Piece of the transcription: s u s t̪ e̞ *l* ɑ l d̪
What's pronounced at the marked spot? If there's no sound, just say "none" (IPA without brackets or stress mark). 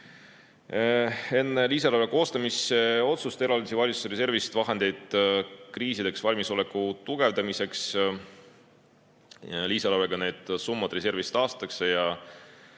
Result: ɾ